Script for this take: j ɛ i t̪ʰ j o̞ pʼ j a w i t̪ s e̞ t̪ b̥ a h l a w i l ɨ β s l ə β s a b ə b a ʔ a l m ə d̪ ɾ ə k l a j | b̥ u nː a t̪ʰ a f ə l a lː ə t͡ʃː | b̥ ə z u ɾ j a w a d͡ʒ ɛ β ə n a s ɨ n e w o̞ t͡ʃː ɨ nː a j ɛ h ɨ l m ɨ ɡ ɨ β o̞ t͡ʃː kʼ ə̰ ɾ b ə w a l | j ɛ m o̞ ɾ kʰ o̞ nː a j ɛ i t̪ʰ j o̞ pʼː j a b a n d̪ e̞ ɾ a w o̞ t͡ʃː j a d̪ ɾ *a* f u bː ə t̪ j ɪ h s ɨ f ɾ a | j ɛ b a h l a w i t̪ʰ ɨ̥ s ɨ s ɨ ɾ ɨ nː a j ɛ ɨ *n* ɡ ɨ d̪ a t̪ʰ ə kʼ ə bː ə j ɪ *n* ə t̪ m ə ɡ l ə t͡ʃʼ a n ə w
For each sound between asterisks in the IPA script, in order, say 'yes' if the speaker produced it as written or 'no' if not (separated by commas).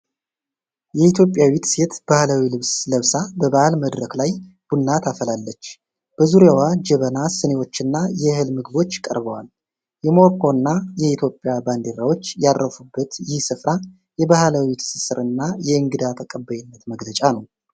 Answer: no, no, no